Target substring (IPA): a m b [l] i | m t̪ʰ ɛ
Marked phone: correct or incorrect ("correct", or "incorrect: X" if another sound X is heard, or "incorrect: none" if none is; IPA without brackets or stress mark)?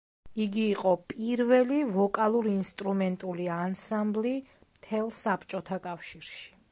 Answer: correct